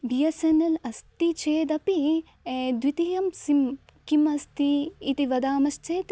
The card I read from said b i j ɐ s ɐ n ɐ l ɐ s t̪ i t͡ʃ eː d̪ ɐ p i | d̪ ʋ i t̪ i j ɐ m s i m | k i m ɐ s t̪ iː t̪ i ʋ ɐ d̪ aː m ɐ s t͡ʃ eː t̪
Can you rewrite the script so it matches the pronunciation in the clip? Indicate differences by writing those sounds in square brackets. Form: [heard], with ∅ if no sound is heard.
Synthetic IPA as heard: b i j ɐ s ɐ n ɐ l ɐ s t̪ i t͡ʃ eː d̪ ɐ p i | d̪ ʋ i t̪ i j ɐ m s i m | k i m ɐ s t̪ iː t̪ i ʋ ɐ d̪ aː m ɐ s t͡ʃ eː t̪